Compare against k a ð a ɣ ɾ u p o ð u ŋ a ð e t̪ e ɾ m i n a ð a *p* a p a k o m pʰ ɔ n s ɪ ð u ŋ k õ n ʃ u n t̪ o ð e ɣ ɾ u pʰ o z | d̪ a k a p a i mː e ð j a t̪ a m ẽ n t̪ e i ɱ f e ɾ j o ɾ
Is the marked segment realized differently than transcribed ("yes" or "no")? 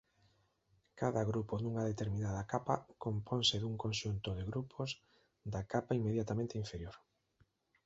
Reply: yes